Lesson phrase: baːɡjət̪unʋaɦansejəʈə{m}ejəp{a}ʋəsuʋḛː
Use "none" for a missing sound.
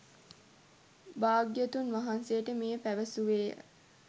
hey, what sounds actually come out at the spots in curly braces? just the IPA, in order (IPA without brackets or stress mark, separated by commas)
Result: m, æ